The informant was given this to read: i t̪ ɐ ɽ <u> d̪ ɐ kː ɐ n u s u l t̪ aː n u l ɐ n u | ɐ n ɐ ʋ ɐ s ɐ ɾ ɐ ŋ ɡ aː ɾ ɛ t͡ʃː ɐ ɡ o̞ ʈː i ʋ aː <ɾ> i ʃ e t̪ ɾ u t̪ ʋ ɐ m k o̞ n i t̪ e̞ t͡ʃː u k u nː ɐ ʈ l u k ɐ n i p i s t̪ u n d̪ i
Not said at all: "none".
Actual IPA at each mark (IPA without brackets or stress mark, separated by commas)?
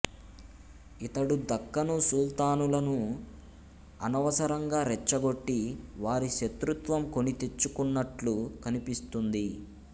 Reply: u, ɾ